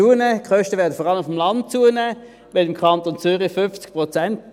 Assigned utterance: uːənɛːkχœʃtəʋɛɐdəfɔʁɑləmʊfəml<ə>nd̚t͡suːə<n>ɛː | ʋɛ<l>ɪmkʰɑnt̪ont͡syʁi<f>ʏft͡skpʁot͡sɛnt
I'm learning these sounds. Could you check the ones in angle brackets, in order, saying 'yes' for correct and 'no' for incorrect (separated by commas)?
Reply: no, yes, yes, yes